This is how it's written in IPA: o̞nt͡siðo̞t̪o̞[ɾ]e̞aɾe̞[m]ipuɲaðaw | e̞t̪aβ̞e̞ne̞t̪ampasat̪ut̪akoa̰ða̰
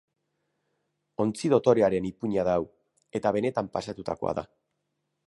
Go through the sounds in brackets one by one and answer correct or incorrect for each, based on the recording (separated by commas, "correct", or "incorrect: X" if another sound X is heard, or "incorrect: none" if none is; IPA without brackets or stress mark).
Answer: correct, incorrect: n